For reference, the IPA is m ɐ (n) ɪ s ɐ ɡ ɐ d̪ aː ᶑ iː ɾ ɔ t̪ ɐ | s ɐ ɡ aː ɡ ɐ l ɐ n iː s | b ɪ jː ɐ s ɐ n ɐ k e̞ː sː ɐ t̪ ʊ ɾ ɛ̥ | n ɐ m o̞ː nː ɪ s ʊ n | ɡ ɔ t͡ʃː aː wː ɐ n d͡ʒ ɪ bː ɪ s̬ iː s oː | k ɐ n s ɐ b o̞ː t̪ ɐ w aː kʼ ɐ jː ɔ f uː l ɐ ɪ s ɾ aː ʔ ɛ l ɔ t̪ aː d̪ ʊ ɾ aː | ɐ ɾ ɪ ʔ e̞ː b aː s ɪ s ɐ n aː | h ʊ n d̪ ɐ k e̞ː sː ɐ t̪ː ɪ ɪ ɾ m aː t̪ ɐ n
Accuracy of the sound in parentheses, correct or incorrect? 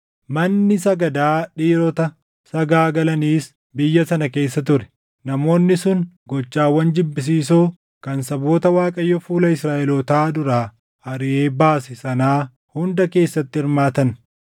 incorrect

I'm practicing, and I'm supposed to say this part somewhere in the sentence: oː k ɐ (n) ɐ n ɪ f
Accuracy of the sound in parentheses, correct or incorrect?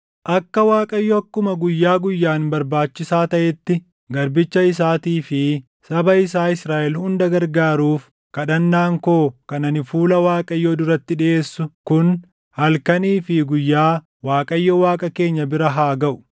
correct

